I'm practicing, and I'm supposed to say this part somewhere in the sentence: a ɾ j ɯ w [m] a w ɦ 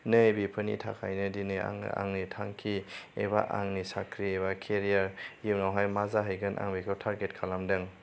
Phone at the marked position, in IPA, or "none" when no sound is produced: n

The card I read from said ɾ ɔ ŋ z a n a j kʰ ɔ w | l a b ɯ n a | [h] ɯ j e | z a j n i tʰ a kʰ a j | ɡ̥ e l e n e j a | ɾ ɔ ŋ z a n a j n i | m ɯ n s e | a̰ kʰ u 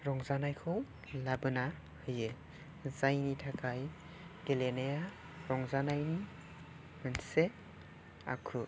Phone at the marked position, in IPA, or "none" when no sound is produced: h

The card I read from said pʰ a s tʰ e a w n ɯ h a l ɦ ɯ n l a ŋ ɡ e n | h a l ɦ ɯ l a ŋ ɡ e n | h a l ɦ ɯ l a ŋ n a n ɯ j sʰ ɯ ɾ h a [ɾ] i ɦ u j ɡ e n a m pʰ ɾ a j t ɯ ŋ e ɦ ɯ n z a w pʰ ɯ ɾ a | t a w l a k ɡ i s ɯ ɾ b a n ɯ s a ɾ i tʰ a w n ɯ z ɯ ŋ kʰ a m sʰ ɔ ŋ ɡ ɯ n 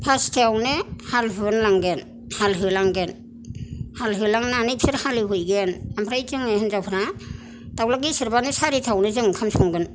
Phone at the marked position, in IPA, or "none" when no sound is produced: l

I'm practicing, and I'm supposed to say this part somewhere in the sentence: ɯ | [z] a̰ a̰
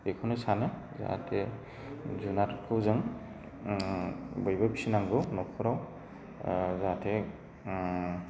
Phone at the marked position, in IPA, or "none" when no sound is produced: z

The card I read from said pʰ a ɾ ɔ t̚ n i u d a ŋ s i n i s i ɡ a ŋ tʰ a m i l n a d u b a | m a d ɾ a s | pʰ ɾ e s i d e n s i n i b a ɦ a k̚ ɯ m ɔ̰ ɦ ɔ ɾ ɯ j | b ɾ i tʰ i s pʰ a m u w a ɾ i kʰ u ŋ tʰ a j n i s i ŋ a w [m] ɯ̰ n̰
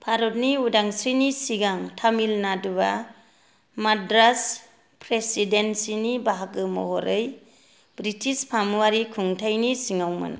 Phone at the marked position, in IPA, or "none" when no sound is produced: m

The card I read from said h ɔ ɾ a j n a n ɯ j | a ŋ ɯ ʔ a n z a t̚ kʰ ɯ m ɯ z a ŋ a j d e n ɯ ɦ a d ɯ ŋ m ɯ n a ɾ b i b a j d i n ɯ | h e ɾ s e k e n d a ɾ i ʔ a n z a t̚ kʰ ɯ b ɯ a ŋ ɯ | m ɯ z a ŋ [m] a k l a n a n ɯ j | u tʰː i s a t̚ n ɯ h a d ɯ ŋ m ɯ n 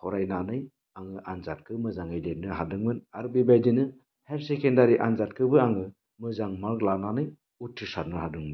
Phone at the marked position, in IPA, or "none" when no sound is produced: m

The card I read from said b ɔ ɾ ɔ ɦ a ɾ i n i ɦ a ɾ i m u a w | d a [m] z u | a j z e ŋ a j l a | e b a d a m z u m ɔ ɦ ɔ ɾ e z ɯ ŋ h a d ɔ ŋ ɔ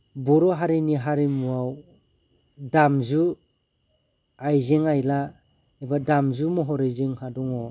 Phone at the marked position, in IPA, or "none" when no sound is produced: m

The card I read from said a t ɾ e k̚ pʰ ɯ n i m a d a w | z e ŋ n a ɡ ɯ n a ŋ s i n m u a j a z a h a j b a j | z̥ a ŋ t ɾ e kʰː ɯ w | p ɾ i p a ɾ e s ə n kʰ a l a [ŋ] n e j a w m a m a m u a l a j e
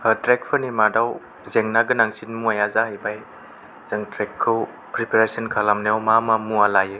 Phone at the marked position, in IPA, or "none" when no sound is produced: m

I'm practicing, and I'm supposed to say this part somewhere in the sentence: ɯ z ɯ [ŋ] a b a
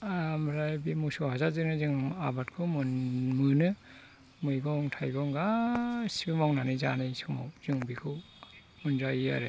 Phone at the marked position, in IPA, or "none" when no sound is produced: ŋ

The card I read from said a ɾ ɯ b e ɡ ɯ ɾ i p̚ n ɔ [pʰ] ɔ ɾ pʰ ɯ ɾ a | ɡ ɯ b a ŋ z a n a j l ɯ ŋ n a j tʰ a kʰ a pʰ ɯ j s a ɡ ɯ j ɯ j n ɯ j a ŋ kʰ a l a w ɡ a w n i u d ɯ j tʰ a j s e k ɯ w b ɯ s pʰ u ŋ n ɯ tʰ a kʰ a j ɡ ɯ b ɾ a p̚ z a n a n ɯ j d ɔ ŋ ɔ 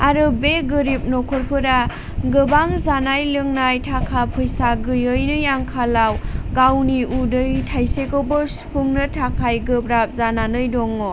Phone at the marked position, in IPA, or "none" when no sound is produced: kʰ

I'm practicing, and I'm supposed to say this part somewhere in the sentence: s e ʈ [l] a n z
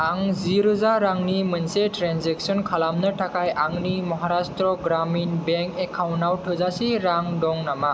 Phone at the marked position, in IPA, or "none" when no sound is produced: ɾ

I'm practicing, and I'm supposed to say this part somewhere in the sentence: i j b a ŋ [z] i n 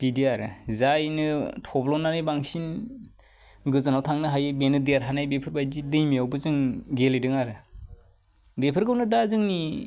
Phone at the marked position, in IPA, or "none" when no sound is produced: s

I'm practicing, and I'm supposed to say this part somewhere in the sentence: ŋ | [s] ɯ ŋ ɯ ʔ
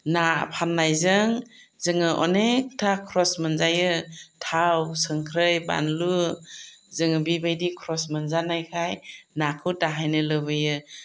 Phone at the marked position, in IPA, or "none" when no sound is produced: z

